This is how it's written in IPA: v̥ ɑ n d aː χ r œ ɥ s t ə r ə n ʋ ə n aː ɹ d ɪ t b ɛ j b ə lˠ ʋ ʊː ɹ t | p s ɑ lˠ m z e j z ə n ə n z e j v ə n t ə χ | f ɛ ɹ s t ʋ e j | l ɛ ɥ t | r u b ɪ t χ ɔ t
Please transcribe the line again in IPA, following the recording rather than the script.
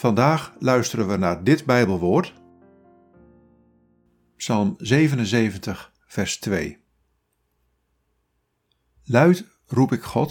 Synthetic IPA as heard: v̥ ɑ n d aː χ l œ ɥ s t ə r ə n ʋ ə n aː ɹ d ɪ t b ɛ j b ə lˠ ʋ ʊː ɹ t | p s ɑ lˠ m z e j v ə n ə n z e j v ə n t ə χ | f ɛ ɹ s t ʋ e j | l œ ɥ t | r u p ɪ k χ ɔ t